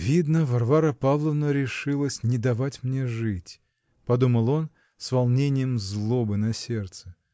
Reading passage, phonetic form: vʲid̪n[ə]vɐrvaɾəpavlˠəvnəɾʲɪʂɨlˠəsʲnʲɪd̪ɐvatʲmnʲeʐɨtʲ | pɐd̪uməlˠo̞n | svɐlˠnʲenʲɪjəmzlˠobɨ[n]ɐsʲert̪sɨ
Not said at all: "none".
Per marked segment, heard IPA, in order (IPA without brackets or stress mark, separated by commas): ə, n